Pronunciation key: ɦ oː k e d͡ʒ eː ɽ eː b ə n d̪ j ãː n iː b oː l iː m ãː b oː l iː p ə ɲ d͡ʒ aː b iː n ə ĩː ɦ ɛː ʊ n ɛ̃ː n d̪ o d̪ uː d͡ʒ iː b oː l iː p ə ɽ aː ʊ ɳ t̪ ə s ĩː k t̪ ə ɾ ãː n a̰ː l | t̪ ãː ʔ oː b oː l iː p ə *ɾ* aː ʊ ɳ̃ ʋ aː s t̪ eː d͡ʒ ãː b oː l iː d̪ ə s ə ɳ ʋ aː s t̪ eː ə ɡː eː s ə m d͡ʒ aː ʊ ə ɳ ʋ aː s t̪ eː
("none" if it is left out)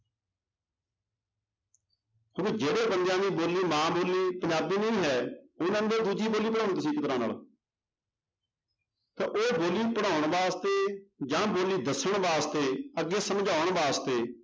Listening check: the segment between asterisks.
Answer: ɽ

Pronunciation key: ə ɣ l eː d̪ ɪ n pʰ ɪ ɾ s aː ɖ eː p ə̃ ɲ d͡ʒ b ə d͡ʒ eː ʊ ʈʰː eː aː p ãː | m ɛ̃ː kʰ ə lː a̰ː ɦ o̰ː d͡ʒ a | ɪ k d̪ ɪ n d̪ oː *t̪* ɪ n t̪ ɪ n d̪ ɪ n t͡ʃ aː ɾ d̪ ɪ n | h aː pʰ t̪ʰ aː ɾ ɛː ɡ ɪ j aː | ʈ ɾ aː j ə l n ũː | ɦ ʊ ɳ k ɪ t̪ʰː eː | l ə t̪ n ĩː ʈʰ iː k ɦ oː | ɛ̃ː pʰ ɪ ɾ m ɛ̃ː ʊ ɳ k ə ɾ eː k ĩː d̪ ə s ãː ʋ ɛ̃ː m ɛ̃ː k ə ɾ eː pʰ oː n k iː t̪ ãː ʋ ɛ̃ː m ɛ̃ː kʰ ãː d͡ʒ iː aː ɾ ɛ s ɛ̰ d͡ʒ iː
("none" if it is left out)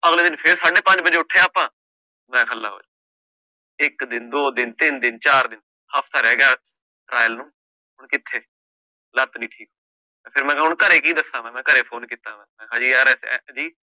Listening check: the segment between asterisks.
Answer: d̪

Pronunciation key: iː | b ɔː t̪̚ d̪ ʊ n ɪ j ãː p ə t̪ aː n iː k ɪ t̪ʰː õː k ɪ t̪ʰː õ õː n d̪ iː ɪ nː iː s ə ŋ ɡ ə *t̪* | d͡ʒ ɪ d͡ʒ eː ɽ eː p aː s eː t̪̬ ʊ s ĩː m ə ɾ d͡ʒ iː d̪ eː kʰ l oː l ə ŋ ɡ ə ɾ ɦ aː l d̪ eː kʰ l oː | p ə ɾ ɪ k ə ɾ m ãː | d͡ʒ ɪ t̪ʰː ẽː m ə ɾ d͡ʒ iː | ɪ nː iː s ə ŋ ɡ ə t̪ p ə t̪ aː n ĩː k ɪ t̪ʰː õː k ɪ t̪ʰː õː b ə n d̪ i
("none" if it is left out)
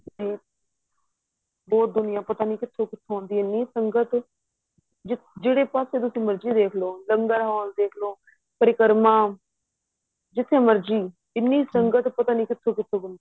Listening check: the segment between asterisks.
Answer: t̪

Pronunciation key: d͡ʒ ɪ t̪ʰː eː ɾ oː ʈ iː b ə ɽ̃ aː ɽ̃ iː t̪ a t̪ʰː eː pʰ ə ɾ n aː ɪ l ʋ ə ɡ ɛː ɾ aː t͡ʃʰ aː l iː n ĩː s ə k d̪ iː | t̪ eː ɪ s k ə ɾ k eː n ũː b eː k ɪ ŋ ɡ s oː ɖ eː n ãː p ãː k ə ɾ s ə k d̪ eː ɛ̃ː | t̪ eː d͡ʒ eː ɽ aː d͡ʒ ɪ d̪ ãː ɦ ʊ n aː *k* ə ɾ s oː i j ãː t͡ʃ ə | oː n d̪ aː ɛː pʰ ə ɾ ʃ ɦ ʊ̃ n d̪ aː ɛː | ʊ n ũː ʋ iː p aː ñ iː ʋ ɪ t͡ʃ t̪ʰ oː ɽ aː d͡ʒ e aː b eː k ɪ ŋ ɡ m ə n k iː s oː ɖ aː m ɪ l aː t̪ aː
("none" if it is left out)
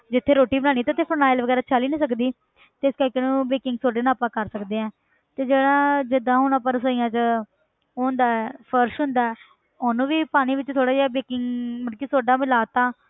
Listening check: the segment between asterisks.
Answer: p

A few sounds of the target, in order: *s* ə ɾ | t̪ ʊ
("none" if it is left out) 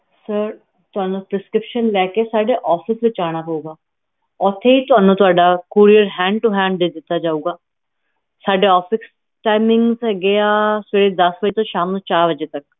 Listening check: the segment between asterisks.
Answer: s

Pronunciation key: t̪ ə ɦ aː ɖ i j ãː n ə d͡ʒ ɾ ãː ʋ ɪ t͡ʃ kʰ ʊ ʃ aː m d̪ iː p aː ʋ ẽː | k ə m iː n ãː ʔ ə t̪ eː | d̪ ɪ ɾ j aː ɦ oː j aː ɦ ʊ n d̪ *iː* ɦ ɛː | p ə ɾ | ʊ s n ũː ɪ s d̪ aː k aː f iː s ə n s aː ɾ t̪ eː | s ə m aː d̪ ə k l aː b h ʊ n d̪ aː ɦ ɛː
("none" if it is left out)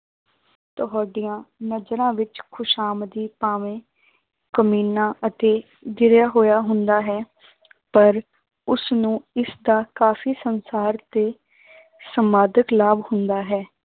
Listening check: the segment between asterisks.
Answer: aː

